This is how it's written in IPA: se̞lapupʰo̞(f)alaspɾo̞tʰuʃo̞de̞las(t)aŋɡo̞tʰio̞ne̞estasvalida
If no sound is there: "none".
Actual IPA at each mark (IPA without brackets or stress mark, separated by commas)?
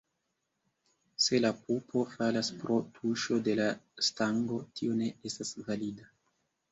f, t